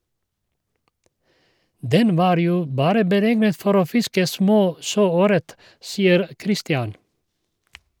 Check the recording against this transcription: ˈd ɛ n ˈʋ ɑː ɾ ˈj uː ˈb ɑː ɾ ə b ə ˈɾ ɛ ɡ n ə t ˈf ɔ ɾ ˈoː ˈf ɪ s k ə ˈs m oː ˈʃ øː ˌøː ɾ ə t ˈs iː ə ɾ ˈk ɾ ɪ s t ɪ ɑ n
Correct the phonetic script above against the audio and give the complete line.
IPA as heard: ˈd ɛ n ˈʋ ɑː ɾ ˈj uː ˈb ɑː ɾ ə b ə ˈɾ ɛ ɡ n ə t ˈf ɔ ɾ ˈoː ˈf ɪ s k ə ˈs m oː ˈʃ øː ˌøː ɾ ə t ˈs iː ə ɾ ˈk ɾ ɪ s t ɪ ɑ n